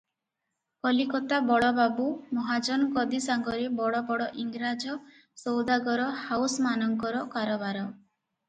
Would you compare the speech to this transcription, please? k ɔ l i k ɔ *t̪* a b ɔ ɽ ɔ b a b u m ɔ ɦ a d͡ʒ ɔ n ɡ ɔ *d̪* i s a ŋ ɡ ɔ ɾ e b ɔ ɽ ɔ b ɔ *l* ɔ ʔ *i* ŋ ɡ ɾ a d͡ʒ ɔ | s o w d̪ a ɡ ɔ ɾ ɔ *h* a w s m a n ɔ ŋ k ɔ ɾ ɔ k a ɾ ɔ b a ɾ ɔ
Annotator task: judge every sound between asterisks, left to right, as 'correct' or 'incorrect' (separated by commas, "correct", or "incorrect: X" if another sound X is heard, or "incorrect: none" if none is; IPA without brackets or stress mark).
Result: correct, correct, incorrect: ɽ, correct, correct